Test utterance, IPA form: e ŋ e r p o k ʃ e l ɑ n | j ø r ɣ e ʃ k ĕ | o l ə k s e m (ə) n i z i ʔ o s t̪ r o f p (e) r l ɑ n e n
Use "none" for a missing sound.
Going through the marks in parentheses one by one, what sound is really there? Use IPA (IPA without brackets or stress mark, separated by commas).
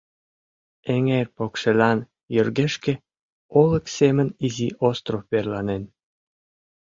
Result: ə, e